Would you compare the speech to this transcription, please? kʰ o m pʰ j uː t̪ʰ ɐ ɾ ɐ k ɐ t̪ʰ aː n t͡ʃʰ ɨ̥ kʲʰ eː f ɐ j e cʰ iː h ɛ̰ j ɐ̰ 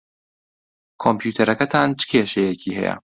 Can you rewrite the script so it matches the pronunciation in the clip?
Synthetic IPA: kʰ o m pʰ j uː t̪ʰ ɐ ɾ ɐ k ɐ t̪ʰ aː n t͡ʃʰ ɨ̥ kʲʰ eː ʃ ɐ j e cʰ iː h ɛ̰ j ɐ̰